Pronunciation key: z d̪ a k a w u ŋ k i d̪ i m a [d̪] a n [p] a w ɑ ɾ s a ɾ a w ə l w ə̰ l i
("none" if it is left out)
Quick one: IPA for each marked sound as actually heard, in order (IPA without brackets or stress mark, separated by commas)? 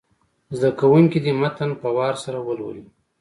t̪, p